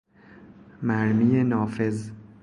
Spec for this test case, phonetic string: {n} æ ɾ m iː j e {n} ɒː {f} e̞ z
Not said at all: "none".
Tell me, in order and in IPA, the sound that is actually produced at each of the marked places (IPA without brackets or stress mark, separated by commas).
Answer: m, n, f